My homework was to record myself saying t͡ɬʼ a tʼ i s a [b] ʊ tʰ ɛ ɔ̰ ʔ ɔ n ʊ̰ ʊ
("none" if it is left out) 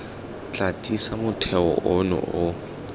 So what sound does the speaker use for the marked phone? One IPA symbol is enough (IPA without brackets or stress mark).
m